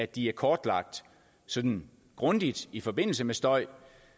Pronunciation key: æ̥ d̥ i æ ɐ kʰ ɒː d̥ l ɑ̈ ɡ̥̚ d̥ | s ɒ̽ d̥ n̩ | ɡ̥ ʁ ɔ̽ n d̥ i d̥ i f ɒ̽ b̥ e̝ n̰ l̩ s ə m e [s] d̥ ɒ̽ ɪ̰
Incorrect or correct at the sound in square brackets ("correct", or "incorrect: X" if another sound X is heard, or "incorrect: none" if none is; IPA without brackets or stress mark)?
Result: correct